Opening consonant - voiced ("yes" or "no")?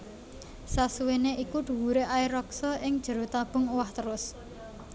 no